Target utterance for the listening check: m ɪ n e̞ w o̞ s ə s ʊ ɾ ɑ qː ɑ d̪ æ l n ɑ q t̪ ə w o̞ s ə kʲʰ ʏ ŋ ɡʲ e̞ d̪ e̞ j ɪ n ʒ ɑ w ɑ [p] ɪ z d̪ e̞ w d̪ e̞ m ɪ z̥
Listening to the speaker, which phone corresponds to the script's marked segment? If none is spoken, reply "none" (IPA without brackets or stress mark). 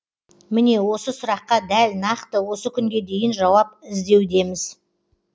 p